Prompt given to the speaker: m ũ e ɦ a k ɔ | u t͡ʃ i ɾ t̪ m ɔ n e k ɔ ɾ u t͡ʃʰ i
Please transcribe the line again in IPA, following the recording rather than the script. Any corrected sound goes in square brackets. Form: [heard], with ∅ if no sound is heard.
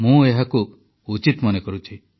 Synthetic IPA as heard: m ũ e ɦ a k [u] | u t͡ʃ i [∅] t̪ m ɔ n e k ɔ ɾ u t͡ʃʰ i